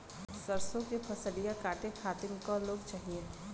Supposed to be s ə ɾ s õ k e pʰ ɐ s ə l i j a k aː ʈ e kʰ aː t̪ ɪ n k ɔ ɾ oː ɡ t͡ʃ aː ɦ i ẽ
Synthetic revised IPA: s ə ɾ s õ k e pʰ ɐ s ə l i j a k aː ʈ e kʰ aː t̪ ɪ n k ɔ l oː ɡ t͡ʃ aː ɦ i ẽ